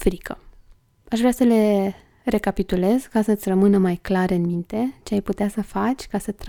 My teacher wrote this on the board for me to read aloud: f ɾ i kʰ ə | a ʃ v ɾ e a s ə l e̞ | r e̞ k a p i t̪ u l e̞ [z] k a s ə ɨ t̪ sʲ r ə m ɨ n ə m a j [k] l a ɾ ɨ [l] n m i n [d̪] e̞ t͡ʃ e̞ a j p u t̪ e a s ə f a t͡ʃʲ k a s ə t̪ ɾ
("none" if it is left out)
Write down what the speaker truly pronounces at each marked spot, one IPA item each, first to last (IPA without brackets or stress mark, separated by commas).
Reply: z, k, none, t̪